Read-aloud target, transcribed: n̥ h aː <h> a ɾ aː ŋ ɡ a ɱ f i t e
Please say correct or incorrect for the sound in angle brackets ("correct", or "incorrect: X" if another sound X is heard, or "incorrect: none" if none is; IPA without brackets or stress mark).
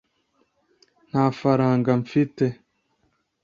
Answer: incorrect: f